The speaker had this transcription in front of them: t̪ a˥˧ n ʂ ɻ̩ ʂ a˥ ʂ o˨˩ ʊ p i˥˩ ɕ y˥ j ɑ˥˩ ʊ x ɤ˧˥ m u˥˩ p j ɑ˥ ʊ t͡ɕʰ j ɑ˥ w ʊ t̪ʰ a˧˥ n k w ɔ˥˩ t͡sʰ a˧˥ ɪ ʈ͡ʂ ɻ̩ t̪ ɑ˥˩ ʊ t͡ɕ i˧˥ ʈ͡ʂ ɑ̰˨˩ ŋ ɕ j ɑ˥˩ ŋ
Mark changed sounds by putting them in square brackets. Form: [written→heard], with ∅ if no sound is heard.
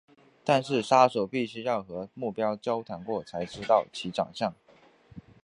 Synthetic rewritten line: t̪ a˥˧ n ʂ ɻ̩ ʂ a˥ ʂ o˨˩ ʊ p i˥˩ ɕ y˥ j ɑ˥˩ ʊ x ɤ˧˥ m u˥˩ p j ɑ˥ ʊ [t͡ɕʰ→t͡ɕ] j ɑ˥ [w→∅] ʊ t̪ʰ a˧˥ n k w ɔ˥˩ t͡sʰ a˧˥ ɪ ʈ͡ʂ ɻ̩ t̪ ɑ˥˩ ʊ [t͡ɕ→t͡ɕʰ] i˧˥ ʈ͡ʂ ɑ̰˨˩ ŋ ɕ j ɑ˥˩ ŋ